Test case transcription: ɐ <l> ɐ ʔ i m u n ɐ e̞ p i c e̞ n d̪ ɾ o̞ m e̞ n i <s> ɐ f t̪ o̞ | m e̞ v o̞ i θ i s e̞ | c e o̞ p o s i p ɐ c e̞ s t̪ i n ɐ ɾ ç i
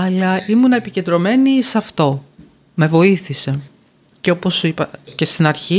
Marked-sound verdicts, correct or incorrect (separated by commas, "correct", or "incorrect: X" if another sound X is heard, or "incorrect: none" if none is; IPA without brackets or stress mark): correct, correct